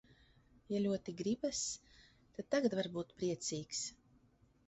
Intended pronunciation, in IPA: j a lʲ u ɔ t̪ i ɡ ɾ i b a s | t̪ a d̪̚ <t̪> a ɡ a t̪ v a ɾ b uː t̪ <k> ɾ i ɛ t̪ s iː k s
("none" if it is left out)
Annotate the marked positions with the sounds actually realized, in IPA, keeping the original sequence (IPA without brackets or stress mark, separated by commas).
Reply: t̪, p